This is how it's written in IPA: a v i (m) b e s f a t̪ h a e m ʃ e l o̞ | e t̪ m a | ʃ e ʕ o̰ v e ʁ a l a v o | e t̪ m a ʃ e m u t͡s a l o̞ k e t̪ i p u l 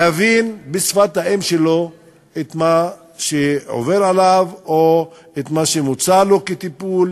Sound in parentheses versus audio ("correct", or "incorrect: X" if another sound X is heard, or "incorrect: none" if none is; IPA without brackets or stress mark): incorrect: n